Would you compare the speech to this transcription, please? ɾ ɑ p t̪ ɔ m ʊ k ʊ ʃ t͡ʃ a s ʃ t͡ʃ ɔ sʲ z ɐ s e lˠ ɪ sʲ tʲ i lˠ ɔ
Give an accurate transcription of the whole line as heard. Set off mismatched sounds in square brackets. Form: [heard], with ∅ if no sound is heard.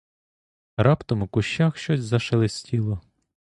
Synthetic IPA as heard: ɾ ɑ p t̪ ɔ m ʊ k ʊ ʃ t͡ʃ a [x] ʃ t͡ʃ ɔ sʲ z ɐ [ʃ] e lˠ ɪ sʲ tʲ i lˠ ɔ